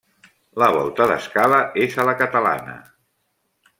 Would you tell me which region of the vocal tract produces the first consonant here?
tongue tip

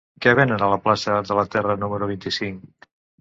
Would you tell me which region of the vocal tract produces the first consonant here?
velum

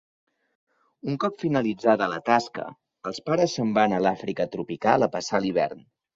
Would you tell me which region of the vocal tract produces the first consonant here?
velum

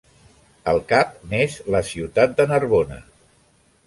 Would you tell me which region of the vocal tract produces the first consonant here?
tongue tip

